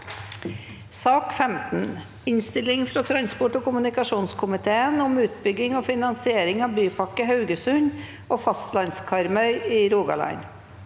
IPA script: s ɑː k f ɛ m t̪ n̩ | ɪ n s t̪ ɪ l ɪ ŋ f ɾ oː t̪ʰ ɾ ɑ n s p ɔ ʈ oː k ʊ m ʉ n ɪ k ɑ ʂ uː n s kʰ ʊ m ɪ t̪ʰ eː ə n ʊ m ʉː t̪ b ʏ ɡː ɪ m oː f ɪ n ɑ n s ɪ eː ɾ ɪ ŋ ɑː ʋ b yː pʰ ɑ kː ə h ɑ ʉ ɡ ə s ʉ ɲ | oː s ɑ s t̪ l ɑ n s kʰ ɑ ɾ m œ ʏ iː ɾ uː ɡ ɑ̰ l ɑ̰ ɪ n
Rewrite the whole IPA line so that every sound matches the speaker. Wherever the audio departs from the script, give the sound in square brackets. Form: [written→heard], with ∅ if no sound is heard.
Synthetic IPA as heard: s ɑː k f ɛ m t̪ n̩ | ɪ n s t̪ ɪ l ɪ ŋ f ɾ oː t̪ʰ ɾ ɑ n s p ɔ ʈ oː k ʊ m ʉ n ɪ k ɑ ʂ uː n s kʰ ʊ m ɪ t̪ʰ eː ə n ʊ m ʉː t̪ b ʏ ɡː ɪ [m→ŋ] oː f ɪ n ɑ n s ɪ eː ɾ ɪ ŋ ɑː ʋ b yː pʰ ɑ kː ə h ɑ ʉ ɡ ə s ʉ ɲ | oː [s→f] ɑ s t̪ l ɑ n s kʰ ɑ ɾ m œ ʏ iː ɾ uː ɡ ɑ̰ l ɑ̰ ɪ n

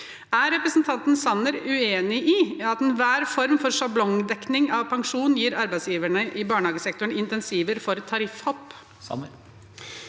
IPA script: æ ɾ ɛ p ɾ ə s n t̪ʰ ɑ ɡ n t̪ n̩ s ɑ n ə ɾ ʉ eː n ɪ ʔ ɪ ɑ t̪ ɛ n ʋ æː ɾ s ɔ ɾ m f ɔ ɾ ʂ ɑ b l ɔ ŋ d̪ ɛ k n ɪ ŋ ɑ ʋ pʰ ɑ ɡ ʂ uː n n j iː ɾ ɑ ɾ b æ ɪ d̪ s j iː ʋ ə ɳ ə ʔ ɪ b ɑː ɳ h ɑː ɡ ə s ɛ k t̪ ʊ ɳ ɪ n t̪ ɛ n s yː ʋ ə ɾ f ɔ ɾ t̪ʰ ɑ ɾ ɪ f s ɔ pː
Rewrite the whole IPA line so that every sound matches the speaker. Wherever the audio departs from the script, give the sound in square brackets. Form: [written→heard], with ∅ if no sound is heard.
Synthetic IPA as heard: æ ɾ ɛ p ɾ ə s n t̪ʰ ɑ [ɡ→∅] n t̪ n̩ s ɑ n ə ɾ ʉ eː n ɪ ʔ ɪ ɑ t̪ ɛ n ʋ æː ɾ [s→f] ɔ ɾ m f ɔ ɾ ʂ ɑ b l ɔ ŋ d̪ ɛ k n ɪ ŋ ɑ ʋ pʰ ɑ [ɡ→ŋ] ʂ uː n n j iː ɾ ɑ ɾ b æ ɪ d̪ s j iː ʋ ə ɳ ə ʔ ɪ b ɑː ɳ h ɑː ɡ ə s ɛ k t̪ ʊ ɳ ɪ n t̪ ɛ n s [yː→iː] ʋ ə ɾ f ɔ ɾ t̪ʰ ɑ ɾ ɪ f [s→h] ɔ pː

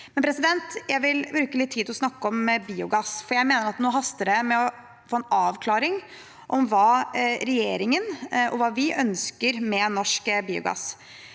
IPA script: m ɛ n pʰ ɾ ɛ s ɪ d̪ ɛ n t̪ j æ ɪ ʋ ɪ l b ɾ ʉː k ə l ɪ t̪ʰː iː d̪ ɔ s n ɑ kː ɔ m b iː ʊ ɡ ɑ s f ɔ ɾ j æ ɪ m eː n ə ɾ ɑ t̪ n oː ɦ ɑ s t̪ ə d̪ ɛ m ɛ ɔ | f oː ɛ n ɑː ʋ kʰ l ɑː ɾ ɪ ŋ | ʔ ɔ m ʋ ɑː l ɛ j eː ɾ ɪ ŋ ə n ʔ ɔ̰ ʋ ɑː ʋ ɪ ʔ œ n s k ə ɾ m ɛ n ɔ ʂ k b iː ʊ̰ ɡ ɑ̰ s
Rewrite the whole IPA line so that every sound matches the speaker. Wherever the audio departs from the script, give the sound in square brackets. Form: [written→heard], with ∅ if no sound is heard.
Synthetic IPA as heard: m ɛ n pʰ ɾ ɛ s ɪ d̪ ɛ n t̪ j æ ɪ ʋ ɪ l b ɾ ʉː k ə l ɪ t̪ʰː iː d̪ ɔ s n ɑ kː ɔ m b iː ʊ ɡ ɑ s f ɔ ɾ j æ ɪ m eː n ə ɾ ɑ t̪ n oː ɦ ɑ s t̪ ə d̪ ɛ m ɛ ɔ | f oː ɛ n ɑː ʋ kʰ l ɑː ɾ ɪ ŋ | ʔ ɔ m ʋ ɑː [l→ɾ] ɛ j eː ɾ ɪ ŋ ə n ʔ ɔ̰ ʋ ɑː ʋ ɪ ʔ œ n s k ə ɾ m ɛ n ɔ ʂ k b iː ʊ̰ ɡ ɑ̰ s

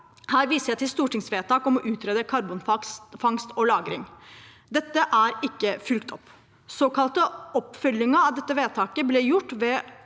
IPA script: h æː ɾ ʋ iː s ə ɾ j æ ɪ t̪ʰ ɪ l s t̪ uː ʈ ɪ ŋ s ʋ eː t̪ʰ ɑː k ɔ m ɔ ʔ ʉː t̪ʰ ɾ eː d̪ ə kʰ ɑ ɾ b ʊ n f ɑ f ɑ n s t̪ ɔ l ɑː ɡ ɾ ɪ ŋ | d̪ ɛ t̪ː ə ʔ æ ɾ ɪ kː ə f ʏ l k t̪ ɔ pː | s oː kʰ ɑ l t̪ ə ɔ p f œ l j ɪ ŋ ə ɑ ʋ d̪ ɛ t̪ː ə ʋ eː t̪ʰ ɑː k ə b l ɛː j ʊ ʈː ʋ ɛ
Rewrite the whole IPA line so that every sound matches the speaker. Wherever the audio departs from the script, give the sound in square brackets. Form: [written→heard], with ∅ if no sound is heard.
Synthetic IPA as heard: h æː ɾ ʋ iː s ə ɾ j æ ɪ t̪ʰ ɪ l s t̪ uː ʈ ɪ ŋ s ʋ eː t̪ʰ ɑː k ɔ m ɔ ʔ ʉː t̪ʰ ɾ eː d̪ ə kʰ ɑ ɾ b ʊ n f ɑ f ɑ [n→ŋ] s t̪ ɔ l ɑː ɡ ɾ ɪ ŋ | d̪ ɛ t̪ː ə ʔ æ ɾ ɪ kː ə f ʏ l k t̪ ɔ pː | s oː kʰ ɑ l t̪ ə ɔ p f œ l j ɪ ŋ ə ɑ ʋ d̪ ɛ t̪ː ə ʋ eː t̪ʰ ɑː k ə b l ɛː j ʊ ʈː ʋ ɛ

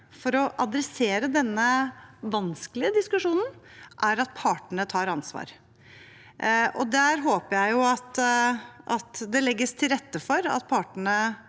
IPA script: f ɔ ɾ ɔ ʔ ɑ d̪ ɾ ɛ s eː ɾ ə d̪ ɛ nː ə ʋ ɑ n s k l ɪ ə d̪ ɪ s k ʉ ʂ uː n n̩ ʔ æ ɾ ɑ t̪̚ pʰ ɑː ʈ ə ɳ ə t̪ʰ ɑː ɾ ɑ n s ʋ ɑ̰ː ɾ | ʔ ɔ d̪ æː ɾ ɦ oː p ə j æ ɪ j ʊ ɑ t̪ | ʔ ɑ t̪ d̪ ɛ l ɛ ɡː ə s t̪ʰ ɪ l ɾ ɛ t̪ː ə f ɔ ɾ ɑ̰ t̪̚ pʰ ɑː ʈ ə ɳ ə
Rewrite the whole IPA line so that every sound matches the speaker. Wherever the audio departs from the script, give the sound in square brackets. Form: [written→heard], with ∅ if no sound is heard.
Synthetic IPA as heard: f ɔ ɾ ɔ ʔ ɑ d̪ ɾ ɛ s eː ɾ ə d̪ ɛ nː ə ʋ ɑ n s k l ɪ ə d̪ ɪ s k ʉ ʂ uː n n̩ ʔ æ ɾ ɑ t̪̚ pʰ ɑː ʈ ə ɳ ə t̪ʰ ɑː ɾ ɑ n s ʋ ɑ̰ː ɾ | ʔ ɔ d̪ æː ɾ ɦ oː p ə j æ ɪ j ʊ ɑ t̪ | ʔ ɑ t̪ d̪ ɛ l ɛ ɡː ə s t̪ʰ ɪ l ɾ ɛ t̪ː ə f ɔ ɾ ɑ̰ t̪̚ pʰ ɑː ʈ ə ɳ ə

